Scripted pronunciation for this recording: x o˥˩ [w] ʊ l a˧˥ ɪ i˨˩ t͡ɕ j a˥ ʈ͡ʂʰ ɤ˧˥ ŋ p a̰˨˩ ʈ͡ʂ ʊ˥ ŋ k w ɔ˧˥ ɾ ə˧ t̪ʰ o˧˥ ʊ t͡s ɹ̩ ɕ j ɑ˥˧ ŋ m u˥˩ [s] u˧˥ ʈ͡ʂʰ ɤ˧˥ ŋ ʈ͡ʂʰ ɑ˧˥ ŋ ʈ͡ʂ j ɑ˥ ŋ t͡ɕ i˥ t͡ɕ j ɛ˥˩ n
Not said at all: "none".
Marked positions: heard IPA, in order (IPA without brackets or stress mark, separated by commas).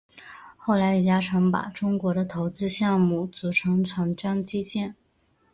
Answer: none, t͡s